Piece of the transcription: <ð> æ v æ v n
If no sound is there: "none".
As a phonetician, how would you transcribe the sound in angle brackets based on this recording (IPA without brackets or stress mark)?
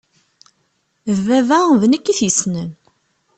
v